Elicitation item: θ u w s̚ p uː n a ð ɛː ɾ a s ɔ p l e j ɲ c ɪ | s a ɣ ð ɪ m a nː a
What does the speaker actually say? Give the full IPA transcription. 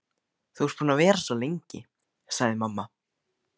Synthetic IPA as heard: θ u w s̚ p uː n a v ɛː ɾ a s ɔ l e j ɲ c ɪ | s a ɣ ð ɪ m a mː a

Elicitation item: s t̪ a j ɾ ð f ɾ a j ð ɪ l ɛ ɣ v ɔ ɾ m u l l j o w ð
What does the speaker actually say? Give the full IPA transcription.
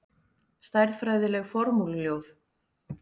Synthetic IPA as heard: s t̪ a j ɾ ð f ɾ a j ð ɪ l ɛ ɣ f ɔ ɾ m u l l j o w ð

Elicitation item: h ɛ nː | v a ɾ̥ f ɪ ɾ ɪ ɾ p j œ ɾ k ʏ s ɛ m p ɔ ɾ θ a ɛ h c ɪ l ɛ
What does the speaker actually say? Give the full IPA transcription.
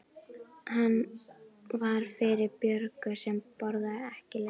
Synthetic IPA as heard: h a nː | v a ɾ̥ f ɪ ɾ ɪ ɾ p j œ ɾ k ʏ s ɛ m p ɔ ɾ ð a ɛ h c ɪ l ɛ

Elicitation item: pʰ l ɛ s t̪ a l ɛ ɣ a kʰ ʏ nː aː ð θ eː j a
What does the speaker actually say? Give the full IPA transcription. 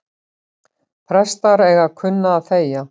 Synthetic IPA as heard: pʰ ɾ ɛ s t̪ a ɾ ɛ ɣ a kʰ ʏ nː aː ð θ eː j a

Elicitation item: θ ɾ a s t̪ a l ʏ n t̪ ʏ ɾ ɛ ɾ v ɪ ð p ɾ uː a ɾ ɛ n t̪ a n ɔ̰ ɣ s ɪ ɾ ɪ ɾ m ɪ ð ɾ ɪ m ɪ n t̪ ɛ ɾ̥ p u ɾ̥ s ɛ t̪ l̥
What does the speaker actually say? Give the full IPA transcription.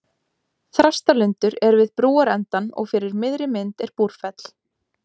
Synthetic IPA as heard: θ ɾ a s t̪ a l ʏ n t̪ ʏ ɾ ɛ ɾ v ɪ ð p ɾ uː a ɾ ɛ n t̪ a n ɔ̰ ɣ f ɪ ɾ ɪ ɾ m ɪ ð ɾ ɪ m ɪ n t̪ ɛ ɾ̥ p u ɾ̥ f ɛ t̪ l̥

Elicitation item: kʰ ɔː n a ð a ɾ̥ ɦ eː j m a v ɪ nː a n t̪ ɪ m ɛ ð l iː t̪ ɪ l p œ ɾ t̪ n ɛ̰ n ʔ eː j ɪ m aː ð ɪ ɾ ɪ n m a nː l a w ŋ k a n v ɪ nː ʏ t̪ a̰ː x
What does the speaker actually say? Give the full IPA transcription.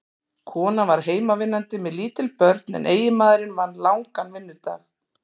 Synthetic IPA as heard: kʰ ɔː n a v a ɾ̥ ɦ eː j m a v ɪ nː a n t̪ ɪ m ɛ ð l iː t̪ ɪ l p œ ɾ t̪ n ɛ̰ n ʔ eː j ɪ m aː ð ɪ ɾ ɪ n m a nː l a w ŋ k a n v ɪ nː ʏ t̪ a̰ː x

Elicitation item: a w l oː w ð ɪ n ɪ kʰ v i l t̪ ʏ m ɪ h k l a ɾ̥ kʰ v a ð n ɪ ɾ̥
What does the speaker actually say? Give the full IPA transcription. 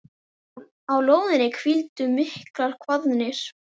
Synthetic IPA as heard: a w l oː w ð ɪ n ɪ kʰ v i l t̪ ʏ m ɪ h k l a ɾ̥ kʰ v a ð n ɪ ɾ̥

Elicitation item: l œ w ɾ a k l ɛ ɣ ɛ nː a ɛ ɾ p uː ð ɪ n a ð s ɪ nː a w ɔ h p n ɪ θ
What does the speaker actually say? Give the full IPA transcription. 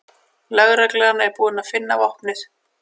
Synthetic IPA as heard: l œ ɣ ɾ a k l ɛ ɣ a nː a ɛ ɾ p uː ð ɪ n a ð f ɪ nː a v ɔ h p n ɪ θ

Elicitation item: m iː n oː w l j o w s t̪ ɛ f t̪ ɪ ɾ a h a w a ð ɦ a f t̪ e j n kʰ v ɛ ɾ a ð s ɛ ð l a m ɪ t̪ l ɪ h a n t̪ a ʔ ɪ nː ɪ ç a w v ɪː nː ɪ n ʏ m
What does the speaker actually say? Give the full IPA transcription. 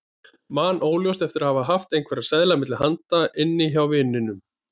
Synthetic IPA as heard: m aː n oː w l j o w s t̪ ɛ f t̪ ɪ ɾ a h a v a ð ɦ a f t̪ e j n kʰ v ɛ ɾ a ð s ɛ ð l a m ɪ t̪ l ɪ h a n t̪ a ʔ ɪ nː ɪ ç a w v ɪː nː ɪ n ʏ m

